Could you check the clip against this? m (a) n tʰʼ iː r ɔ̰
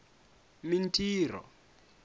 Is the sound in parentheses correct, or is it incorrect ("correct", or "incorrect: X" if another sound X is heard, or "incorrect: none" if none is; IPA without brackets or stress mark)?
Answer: incorrect: i